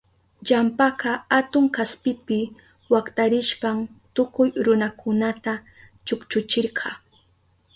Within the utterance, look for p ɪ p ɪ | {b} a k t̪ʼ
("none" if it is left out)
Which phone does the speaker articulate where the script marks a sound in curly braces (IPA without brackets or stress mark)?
w